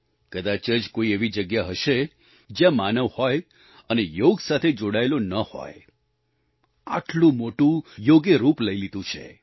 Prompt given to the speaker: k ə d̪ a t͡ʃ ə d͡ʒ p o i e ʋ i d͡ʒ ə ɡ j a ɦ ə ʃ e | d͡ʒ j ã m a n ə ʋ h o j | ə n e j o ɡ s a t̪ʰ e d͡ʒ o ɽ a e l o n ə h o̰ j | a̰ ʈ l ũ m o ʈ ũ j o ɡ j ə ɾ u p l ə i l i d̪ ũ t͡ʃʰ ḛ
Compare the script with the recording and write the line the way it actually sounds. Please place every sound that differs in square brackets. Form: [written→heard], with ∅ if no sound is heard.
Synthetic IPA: k ə d̪ a t͡ʃ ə d͡ʒ [p→k] o i e ʋ i d͡ʒ ə ɡ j a ɦ ə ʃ e | d͡ʒ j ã m a n ə ʋ h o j | ə n e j o ɡ s a t̪ʰ e d͡ʒ o ɽ a e l o n ə h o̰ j | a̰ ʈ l ũ m o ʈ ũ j o ɡ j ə ɾ u p l ə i l i d̪ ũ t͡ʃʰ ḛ